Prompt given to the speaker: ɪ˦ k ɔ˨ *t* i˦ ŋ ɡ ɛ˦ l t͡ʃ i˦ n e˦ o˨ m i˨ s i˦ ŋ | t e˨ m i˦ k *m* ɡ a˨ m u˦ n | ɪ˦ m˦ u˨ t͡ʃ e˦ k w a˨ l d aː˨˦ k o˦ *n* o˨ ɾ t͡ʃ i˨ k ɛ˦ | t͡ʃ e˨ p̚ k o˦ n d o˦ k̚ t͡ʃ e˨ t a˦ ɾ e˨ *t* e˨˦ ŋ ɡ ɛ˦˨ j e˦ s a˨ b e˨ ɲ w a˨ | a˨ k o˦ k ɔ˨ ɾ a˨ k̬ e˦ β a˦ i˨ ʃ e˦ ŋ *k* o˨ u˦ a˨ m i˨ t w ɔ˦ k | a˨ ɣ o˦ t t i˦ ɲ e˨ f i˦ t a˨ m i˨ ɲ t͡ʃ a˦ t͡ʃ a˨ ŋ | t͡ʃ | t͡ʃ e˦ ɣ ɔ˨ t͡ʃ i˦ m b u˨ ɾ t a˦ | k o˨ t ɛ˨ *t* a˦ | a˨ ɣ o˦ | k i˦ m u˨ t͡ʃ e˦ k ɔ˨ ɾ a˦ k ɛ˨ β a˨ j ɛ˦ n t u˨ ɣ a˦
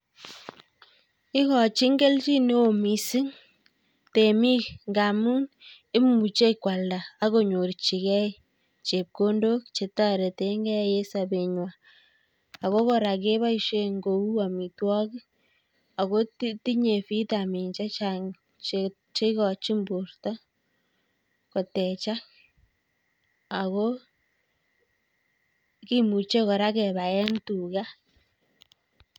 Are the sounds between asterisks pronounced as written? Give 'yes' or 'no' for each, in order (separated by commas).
no, no, no, yes, no, no